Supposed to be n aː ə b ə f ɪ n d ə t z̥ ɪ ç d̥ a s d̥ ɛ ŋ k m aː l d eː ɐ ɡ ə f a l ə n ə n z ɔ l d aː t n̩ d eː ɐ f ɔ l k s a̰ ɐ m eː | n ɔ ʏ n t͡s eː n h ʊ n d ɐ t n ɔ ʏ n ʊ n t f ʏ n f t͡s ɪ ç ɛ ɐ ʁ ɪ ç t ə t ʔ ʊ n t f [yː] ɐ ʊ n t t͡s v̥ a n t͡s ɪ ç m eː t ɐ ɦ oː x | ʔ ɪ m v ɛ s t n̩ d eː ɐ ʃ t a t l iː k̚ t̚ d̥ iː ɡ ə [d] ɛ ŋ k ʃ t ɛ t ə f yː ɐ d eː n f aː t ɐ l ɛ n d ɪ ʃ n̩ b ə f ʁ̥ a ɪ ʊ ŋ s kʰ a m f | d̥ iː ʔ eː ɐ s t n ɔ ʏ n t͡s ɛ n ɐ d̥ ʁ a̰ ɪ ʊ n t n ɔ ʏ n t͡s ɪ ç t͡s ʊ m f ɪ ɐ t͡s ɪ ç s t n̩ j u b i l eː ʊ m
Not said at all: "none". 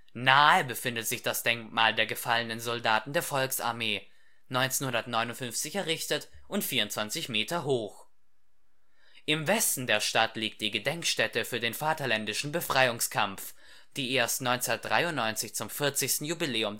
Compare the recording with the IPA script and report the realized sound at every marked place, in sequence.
iː, d

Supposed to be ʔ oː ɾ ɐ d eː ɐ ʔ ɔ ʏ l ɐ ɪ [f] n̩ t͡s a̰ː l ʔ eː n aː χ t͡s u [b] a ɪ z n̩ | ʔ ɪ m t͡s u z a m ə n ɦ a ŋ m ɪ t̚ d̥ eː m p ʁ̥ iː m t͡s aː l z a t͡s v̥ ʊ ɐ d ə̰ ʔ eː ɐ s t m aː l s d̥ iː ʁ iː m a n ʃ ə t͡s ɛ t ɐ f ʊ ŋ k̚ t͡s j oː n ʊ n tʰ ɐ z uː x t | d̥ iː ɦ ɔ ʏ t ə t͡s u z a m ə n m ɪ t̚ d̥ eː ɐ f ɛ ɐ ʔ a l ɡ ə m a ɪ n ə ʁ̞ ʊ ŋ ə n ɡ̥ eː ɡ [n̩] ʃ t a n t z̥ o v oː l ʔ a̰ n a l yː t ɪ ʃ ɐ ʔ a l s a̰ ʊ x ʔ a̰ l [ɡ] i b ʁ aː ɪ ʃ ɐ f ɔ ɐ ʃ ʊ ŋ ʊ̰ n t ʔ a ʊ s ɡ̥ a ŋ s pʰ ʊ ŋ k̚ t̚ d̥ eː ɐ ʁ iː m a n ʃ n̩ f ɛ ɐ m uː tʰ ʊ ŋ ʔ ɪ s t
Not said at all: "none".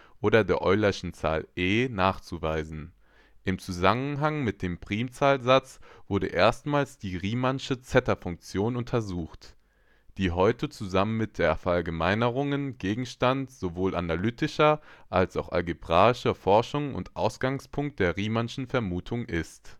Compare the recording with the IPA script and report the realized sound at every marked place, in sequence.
ʃ, v, ŋ̩, ɡ

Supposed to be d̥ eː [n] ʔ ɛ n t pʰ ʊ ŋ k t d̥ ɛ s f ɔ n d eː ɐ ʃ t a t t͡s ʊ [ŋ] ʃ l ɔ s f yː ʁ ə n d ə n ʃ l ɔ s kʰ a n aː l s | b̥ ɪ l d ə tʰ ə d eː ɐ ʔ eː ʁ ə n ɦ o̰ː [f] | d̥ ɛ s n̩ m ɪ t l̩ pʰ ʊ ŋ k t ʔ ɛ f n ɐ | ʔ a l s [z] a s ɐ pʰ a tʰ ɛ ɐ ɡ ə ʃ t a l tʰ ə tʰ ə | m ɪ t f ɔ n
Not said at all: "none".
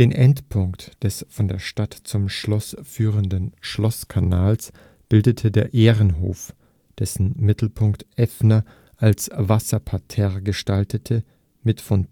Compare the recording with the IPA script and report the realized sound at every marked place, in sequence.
n, m, f, v

